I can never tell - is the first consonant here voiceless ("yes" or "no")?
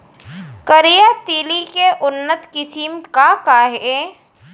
yes